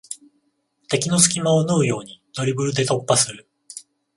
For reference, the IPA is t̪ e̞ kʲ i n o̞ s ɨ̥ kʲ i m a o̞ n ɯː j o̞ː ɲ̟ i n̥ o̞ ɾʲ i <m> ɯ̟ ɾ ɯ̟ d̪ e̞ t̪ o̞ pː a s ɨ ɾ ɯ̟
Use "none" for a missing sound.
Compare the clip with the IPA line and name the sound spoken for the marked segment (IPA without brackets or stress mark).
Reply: b